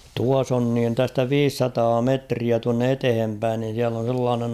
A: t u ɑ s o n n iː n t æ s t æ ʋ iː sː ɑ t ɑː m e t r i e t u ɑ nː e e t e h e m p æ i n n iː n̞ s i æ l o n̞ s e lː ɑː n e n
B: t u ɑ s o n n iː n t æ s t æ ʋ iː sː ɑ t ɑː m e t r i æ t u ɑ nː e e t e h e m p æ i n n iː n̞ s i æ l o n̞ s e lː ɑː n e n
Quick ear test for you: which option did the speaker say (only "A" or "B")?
B